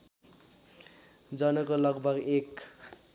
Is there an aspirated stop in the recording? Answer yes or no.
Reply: no